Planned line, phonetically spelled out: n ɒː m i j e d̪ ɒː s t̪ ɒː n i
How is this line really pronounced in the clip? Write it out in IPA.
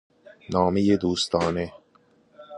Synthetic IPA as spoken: n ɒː m e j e d̪ uː s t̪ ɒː n e

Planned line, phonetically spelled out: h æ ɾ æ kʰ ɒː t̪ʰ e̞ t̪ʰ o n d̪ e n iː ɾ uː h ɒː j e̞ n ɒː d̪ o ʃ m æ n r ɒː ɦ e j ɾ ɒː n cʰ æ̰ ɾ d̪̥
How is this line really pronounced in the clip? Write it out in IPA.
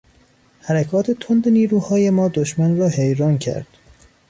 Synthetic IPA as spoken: h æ ɾ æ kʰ ɒː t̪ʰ e̞ t̪ʰ o n d̪ e n iː ɾ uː h ɒː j e̞ m ɒː d̪ o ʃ m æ n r ɒː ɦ e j ɾ ɒː n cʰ æ̰ ɾ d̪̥

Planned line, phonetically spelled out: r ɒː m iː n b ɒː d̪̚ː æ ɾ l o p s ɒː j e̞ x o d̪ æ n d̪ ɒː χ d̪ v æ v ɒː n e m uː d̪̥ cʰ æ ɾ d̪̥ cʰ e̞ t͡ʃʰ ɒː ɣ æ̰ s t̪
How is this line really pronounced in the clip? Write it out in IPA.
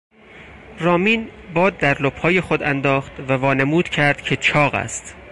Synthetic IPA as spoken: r ɒː m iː n b ɒː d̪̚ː æ ɾ l o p h ɒː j e̞ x o d̪ æ n d̪ ɒː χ t̪ v æ v ɒː n e m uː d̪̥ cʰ æ ɾ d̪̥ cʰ e̞ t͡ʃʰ ɒː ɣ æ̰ s t̪

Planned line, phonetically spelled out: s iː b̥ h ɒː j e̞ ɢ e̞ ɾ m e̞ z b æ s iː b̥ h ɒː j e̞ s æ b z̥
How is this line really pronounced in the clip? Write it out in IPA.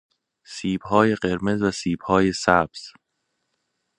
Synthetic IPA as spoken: s iː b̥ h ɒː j e̞ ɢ e̞ ɾ m e̞ z v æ s iː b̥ h ɒː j e̞ s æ b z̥

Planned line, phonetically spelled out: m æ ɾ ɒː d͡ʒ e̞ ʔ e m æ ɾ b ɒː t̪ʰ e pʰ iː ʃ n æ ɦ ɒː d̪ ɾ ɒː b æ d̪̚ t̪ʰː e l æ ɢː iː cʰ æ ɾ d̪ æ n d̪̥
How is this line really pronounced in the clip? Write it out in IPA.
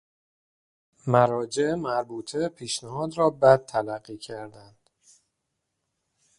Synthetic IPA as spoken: m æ ɾ ɒː d͡ʒ e̞ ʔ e m æ ɾ b uː t̪ʰ e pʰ iː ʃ n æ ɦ ɒː d̪ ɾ ɒː b æ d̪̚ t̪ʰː æ l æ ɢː iː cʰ æ ɾ d̪ æ n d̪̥

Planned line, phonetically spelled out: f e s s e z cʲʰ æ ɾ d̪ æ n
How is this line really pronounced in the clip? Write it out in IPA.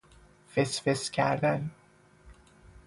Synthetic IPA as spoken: f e s f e s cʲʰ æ ɾ d̪ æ n

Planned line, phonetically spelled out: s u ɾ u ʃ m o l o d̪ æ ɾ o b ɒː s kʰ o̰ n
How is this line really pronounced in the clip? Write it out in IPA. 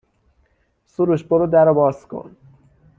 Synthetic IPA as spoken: s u ɾ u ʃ b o ɾ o d̪ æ ɾ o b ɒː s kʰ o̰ n

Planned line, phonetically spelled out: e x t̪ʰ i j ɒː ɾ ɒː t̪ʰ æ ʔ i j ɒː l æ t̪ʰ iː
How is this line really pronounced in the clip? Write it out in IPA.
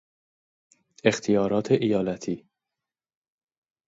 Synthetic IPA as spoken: e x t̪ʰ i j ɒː ɾ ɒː t̪ʰ e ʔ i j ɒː l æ t̪ʰ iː

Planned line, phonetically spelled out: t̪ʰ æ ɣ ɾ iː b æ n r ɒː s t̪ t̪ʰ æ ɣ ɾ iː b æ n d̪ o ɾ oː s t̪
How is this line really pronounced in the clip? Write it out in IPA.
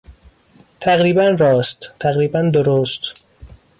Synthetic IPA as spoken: t̪ʰ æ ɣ ɾ iː b æ n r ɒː s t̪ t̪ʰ æ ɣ ɾ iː b æ n d̪ o ɾ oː s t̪

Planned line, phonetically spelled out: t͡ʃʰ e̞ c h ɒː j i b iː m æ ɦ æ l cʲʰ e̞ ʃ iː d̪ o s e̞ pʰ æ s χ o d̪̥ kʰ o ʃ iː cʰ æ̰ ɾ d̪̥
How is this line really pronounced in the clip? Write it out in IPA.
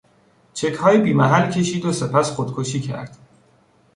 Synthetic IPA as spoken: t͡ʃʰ e̞ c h ɒː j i b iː m æ ɦ æ l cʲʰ e̞ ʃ iː d̪ o s e̞ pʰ æ s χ o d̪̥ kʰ o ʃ iː cʰ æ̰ ɾ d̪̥

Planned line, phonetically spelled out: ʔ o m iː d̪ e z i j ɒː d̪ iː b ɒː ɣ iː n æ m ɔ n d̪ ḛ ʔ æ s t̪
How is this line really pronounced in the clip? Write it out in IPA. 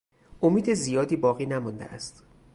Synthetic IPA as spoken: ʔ o m iː d̪ e z i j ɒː d̪ iː b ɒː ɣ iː n æ m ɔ n d̪ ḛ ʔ æ s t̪

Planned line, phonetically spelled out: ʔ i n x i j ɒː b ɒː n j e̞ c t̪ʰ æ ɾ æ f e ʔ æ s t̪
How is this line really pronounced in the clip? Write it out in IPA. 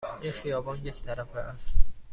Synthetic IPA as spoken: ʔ i n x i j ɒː b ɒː n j e̞ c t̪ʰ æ ɾ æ f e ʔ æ s t̪

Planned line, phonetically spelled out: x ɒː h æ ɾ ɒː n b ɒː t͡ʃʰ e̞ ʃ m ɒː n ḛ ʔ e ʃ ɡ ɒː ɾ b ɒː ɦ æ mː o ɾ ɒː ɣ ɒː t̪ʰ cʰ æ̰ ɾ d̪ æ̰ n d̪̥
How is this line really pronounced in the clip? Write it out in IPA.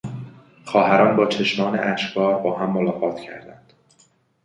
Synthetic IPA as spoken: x ɒː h æ ɾ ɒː n b ɒː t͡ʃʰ e̞ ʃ m ɒː n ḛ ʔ æ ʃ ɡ ɒː ɾ b ɒː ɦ æ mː o l ɒː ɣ ɒː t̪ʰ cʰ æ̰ ɾ d̪ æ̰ n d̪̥

